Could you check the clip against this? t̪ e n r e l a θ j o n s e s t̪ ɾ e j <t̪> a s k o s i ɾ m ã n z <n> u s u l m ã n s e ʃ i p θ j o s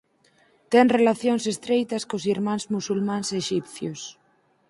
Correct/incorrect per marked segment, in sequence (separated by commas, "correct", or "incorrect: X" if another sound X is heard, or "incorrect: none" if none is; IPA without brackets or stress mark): correct, incorrect: m